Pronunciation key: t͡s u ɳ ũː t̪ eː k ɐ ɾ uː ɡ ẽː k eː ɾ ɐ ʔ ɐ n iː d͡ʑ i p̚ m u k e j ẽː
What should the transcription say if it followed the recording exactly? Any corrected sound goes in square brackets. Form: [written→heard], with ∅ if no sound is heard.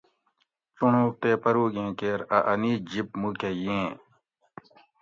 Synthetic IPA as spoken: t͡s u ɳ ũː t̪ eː [k→p] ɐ ɾ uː ɡ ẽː k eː ɾ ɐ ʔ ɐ n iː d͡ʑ i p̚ m u k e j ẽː